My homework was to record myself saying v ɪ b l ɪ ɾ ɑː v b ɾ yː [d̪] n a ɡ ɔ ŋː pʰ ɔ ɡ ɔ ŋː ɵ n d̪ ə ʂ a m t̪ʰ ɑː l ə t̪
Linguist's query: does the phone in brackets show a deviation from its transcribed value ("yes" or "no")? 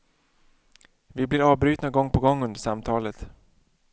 yes